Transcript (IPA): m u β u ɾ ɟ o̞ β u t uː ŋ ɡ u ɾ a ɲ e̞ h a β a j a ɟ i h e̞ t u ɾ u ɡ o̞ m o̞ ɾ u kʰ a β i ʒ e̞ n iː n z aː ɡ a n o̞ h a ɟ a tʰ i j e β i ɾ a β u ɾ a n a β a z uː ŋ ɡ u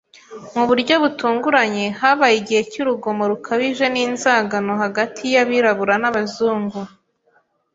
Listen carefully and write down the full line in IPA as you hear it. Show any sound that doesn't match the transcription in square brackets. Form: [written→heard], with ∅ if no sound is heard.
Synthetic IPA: m u β u ɾ ɟ o̞ β u t uː ŋ ɡ u ɾ a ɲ e̞ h a β a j [a→i] ɟ i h e̞ [t→c] u ɾ u ɡ o̞ m o̞ ɾ u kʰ a β i ʒ e̞ n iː n z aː ɡ a n o̞ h a [ɟ→ɡ] a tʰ i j [e→a] β i ɾ a β u ɾ a n a β a z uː ŋ ɡ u